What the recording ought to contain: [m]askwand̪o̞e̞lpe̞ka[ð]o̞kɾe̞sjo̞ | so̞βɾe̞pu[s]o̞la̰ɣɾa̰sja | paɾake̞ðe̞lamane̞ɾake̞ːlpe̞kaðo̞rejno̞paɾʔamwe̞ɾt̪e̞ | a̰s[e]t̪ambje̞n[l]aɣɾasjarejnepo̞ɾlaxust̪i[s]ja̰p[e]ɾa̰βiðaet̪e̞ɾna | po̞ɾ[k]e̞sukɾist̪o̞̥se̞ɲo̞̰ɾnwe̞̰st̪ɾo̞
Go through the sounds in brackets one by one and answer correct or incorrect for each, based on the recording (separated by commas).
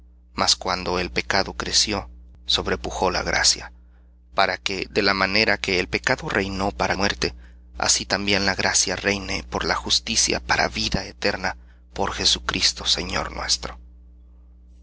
correct, correct, incorrect, incorrect, correct, correct, incorrect, incorrect